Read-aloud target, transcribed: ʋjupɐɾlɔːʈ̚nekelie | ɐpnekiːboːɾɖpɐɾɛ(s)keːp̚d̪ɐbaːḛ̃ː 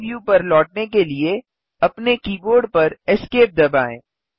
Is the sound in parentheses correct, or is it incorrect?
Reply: correct